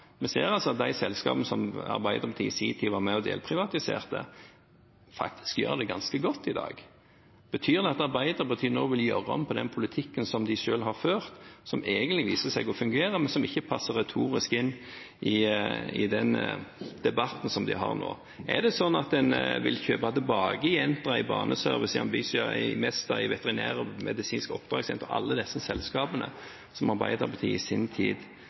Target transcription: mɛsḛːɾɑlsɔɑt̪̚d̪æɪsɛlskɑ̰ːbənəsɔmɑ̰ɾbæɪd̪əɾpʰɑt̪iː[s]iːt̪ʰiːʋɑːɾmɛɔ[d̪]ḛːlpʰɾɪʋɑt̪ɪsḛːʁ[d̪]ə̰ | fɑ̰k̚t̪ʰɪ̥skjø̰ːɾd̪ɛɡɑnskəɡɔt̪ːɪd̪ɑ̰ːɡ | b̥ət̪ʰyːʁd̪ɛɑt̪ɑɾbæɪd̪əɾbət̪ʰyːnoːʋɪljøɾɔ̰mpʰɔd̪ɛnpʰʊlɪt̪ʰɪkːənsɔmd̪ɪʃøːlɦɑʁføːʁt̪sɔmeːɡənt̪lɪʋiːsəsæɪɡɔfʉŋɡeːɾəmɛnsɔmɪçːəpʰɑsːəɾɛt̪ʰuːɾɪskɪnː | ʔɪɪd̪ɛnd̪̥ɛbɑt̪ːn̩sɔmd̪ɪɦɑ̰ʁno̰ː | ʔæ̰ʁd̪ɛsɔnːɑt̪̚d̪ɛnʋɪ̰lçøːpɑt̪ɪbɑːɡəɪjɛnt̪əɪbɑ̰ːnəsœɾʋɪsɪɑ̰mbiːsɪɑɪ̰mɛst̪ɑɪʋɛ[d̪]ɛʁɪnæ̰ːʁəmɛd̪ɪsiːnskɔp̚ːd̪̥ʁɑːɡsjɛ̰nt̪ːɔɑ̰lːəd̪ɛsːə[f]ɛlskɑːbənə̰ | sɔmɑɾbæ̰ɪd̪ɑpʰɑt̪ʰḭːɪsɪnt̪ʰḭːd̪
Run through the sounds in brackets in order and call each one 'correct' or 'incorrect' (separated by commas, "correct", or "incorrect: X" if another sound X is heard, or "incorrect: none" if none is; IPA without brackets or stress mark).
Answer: correct, correct, incorrect: t̪, incorrect: t̪, incorrect: s